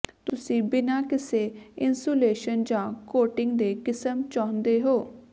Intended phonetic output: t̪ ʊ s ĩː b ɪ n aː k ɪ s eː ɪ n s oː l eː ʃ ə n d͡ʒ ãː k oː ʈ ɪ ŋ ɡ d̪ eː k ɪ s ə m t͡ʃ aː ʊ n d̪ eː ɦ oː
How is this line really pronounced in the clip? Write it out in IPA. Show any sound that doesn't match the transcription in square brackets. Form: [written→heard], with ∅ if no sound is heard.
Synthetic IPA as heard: t̪ ʊ s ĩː b ɪ n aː k ɪ s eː ɪ n s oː l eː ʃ ə n d͡ʒ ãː k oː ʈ ɪ ŋ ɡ d̪ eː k ɪ s ə m t͡ʃ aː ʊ n d̪ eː ɦ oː